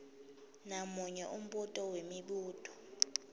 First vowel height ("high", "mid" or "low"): low